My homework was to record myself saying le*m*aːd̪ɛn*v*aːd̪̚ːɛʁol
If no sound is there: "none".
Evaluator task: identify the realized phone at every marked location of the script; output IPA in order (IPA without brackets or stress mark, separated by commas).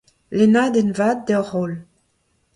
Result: n, v